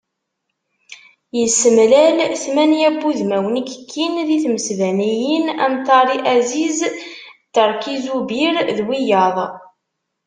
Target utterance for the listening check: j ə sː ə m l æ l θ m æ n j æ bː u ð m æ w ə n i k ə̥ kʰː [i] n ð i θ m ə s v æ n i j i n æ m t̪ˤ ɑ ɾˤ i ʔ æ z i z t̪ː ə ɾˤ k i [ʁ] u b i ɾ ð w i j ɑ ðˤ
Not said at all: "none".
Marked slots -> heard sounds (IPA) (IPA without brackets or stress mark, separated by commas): i, z